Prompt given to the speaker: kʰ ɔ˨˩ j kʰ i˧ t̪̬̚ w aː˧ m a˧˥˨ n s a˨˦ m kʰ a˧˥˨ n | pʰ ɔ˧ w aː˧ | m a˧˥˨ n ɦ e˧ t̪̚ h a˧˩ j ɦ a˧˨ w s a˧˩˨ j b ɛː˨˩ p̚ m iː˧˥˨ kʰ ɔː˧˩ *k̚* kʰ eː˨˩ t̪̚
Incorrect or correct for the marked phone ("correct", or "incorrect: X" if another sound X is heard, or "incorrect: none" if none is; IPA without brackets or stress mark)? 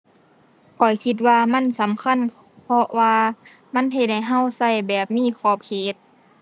incorrect: p̚